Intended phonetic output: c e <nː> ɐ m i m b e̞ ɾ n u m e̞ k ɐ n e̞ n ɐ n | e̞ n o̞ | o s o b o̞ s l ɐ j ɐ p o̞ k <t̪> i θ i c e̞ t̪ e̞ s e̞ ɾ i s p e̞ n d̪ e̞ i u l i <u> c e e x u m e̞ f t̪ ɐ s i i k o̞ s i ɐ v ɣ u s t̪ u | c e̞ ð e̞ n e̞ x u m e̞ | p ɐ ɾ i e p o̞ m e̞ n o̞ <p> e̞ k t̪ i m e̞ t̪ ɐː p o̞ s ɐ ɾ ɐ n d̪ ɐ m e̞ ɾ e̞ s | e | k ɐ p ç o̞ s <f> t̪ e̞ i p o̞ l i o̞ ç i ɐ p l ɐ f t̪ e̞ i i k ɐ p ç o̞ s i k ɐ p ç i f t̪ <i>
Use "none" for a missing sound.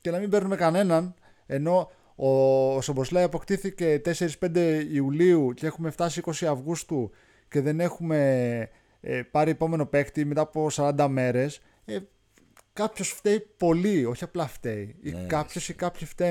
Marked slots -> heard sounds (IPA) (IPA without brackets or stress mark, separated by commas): n, t̪, u, p, f, e